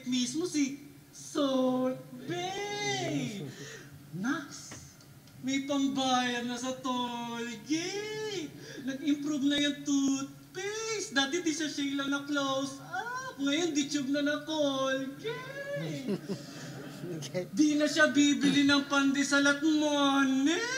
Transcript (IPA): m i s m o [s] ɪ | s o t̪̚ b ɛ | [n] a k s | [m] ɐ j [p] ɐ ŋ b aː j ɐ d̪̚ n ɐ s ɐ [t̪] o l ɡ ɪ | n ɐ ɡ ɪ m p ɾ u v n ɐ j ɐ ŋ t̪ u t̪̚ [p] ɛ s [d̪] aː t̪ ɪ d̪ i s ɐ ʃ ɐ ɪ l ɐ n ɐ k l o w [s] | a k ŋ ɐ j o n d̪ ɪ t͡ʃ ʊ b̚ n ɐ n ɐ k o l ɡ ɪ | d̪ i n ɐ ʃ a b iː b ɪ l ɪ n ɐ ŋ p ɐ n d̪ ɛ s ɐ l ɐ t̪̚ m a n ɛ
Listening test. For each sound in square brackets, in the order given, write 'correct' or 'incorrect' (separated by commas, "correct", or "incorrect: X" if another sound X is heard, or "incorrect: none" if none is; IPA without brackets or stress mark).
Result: correct, correct, correct, correct, correct, correct, correct, correct